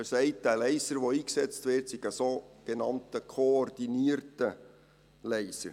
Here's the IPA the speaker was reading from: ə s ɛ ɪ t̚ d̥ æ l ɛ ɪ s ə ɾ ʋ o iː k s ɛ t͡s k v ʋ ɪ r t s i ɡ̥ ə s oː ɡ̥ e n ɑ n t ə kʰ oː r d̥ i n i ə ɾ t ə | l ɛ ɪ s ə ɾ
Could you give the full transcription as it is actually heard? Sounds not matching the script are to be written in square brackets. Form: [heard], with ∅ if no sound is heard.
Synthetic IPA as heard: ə s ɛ ɪ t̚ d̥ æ l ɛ ɪ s ə ɾ ʋ o iː k s ɛ t͡s [t] v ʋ ɪ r t s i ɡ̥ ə s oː ɡ̥ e n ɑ n t ə kʰ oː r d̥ i n i ə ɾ t ə | l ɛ ɪ s ə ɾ

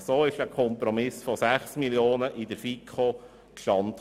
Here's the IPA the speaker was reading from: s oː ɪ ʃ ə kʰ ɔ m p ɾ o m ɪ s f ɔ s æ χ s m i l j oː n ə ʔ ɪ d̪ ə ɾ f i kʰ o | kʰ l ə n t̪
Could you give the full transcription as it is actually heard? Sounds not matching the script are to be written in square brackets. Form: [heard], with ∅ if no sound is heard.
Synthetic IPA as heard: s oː ɪ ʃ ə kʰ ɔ m p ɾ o m ɪ s f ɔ s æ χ s m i l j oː n ə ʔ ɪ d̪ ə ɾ f i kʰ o | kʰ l [ɑ] n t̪

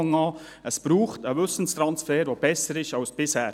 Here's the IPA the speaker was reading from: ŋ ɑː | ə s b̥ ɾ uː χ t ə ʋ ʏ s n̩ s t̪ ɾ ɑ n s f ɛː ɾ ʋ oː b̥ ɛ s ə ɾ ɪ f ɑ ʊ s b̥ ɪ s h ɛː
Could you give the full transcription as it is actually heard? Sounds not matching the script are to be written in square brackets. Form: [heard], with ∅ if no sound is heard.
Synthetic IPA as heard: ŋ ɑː | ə s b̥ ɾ uː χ t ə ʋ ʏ s n̩ s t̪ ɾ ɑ n s f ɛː ɾ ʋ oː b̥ ɛ s ə ɾ ɪ [ʃ] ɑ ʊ s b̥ ɪ s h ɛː

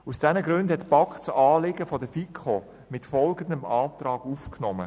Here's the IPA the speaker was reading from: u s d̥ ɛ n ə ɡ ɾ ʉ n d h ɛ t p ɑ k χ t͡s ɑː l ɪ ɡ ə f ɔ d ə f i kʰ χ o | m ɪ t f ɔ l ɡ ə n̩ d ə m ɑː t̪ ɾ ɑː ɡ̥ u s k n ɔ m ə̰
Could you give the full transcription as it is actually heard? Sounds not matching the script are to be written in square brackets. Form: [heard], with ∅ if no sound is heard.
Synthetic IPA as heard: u s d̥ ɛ n ə ɡ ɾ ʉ n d h ɛ t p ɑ k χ t͡s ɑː l ɪ ɡ ə f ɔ d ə f i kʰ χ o | m ɪ t f ɔ l ɡ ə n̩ d ə m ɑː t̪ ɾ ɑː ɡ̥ u [f] k n ɔ m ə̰

